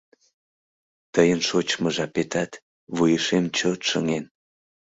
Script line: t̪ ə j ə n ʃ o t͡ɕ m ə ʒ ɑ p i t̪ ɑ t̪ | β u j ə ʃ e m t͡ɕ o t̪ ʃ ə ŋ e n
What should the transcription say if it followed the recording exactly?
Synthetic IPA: t̪ ə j ə n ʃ o t͡ɕ m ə ʒ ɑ p e t̪ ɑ t̪ | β u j ə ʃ e m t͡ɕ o t̪ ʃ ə ŋ e n